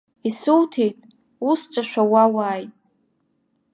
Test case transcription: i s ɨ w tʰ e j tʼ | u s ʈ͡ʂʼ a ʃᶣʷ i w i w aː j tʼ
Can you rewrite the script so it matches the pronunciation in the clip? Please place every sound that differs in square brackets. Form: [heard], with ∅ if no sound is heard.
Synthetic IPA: i s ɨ w tʰ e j tʼ | u s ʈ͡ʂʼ a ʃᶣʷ [a] w [a] w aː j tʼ